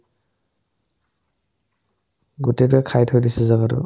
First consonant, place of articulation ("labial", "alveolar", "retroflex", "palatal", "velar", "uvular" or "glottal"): velar